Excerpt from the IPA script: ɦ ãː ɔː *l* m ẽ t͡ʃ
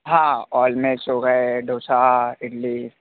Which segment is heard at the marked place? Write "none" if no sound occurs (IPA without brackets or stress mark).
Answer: l